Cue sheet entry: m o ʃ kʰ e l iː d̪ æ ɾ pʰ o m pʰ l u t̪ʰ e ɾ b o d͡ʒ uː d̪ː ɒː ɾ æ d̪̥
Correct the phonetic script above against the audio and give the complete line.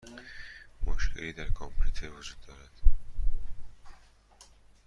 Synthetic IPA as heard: m o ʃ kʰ e l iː d̪ æ ɾ kʰ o m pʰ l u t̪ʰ e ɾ v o d͡ʒ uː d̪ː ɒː ɾ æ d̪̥